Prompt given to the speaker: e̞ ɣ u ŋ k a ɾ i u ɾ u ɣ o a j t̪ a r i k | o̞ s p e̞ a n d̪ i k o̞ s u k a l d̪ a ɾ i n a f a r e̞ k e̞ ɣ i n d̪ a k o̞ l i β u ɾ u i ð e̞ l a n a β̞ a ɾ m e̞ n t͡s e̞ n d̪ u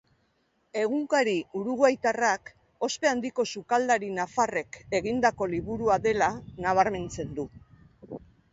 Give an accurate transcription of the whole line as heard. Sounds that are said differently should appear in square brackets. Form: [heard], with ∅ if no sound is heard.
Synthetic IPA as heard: e̞ ɣ u ŋ k a ɾ i u ɾ u ɣ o a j t̪ a r [a] k | o̞ s p e̞ a n d̪ i k o̞ s u k a l d̪ a ɾ i n a f a r e̞ k e̞ ɣ i n d̪ a k o̞ l i β u ɾ u [a] ð e̞ l a n a β̞ a ɾ m e̞ n t͡s e̞ n d̪ u